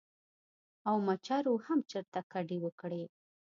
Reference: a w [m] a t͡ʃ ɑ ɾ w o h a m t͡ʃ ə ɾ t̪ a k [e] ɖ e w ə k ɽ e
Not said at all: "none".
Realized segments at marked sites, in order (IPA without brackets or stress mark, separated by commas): m, a